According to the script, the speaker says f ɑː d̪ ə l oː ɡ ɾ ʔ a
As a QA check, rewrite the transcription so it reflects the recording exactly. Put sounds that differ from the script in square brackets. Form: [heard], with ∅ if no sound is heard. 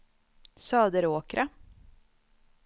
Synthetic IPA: [s] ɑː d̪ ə [ɾ] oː [k] ɾ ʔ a

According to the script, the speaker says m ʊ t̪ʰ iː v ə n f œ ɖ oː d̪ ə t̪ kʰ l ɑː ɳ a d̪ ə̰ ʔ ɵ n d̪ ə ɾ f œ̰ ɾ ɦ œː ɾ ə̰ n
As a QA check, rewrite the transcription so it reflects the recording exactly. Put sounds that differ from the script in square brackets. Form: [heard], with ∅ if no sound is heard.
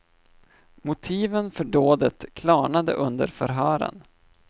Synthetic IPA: m ʊ t̪ʰ iː v ə n f œ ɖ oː d̪ ə t̪ kʰ l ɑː ɳ a d̪ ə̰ ʔ ɵ n d̪ ə ɾ f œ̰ ɾ ɦ œː ɾ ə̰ n

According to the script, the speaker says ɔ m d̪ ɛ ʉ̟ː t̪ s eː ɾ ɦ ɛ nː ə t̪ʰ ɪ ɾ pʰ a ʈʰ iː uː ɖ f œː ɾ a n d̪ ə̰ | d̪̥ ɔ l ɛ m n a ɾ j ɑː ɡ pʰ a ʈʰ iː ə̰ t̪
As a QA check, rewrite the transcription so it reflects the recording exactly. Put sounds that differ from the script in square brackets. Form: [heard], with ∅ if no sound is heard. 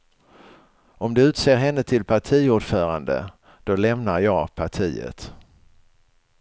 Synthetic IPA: ɔ m d̪ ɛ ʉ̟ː t̪ s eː ɾ ɦ ɛ nː ə t̪ʰ ɪ [l] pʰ a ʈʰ iː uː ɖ f œː ɾ a n d̪ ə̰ | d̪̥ ɔ l ɛ m n a ɾ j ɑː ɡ pʰ a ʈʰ iː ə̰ t̪

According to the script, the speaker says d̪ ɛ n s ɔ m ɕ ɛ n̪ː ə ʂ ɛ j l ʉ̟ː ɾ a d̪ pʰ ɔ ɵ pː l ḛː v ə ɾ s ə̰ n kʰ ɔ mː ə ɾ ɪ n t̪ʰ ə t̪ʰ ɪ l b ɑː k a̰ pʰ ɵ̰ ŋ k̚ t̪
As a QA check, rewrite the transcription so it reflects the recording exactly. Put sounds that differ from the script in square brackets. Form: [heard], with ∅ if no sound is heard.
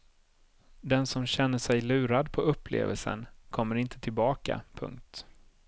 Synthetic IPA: d̪ ɛ n s ɔ m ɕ ɛ n̪ː ə ʂ ɛ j l ʉ̟ː ɾ a d̪ pʰ ɔ ɵ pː l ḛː v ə [l] s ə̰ n kʰ ɔ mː ə ɾ ɪ n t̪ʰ ə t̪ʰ ɪ l b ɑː k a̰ pʰ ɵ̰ ŋ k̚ t̪

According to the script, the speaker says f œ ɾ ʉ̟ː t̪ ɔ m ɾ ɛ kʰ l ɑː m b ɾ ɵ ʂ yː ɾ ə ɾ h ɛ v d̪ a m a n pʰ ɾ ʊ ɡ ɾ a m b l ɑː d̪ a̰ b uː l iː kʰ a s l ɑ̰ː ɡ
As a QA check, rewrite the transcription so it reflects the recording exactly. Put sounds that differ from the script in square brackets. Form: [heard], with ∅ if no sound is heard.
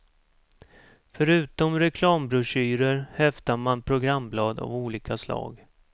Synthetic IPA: f œ ɾ ʉ̟ː t̪ ɔ m ɾ ɛ kʰ l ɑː m b ɾ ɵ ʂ yː ɾ ə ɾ h ɛ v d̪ a m a n pʰ ɾ ʊ ɡ ɾ a m b l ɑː d̪ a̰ [v] uː l iː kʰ a s l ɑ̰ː ɡ

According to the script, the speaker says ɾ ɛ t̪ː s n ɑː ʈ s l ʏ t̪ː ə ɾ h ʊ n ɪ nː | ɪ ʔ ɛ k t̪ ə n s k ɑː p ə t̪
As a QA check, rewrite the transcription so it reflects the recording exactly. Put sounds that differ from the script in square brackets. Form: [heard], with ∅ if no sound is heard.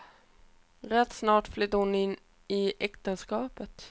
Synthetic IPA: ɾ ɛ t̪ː s n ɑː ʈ [f] l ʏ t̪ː ə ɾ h ʊ n ɪ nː | ɪ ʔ ɛ k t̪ ə n s k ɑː p ə t̪

